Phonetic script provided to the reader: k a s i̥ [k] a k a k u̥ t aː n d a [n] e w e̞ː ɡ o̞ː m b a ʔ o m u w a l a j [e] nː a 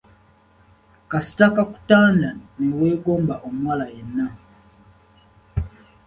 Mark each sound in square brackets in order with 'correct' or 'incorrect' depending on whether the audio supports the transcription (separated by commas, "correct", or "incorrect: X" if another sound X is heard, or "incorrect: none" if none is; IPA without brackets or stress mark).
incorrect: t, correct, correct